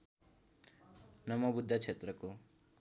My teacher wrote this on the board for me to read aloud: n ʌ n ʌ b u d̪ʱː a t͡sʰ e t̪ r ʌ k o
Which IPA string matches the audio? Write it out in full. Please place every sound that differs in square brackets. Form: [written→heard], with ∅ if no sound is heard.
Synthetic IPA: n ʌ [n→m] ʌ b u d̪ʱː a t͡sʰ e t̪ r ʌ k o